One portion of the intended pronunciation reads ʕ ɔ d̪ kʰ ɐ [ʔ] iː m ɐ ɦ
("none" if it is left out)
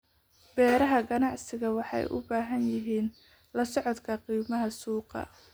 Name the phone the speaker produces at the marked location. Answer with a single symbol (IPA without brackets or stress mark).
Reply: q